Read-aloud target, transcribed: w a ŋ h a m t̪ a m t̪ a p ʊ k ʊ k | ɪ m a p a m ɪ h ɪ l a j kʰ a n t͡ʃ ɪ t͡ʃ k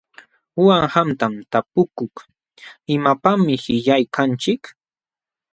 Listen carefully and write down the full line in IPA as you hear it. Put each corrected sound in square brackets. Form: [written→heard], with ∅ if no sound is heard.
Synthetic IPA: w a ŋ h a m t̪ a m t̪ a p ʊ k ʊ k | ɪ m a p a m ɪ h ɪ [l→ʎ] a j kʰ a n t͡ʃ ɪ [t͡ʃ→∅] k